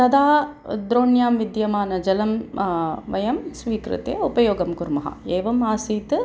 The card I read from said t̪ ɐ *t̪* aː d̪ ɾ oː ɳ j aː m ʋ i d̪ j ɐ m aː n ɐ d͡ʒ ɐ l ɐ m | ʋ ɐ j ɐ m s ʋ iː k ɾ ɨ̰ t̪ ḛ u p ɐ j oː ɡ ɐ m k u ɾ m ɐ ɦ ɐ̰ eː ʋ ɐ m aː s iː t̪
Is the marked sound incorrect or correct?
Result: incorrect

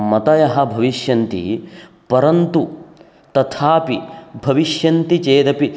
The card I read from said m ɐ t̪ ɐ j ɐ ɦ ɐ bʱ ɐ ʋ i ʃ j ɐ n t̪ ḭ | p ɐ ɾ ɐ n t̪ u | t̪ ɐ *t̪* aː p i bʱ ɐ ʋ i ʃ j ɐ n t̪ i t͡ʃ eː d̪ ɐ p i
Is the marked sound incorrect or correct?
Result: incorrect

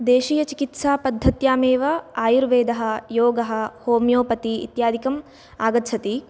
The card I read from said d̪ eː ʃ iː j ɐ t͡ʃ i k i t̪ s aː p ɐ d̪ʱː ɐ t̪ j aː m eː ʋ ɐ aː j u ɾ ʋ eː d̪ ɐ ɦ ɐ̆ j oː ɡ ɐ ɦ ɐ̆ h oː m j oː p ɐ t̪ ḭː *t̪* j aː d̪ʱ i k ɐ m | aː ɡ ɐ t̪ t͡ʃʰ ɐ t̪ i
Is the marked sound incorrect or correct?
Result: correct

